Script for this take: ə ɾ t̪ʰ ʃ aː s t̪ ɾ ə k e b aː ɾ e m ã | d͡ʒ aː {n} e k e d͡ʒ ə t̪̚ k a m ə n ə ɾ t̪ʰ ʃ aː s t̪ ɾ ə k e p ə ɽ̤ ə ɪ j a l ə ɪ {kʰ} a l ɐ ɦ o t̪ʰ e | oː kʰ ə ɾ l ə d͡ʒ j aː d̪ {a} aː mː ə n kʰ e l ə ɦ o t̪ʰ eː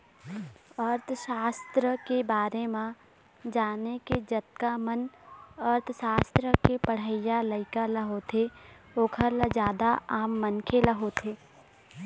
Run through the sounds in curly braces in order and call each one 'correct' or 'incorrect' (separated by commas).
correct, incorrect, correct